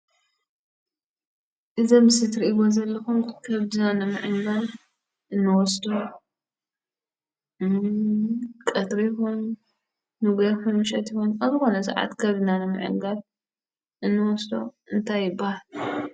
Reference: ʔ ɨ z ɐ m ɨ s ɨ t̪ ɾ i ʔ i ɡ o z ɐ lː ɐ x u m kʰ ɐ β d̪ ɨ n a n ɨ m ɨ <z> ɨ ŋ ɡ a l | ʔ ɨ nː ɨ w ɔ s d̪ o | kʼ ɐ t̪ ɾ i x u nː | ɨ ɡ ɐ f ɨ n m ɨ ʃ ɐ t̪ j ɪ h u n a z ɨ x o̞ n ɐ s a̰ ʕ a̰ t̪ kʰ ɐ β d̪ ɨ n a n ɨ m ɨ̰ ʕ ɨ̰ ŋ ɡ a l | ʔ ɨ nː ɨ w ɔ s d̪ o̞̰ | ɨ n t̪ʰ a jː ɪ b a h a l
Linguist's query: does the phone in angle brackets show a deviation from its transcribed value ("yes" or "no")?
yes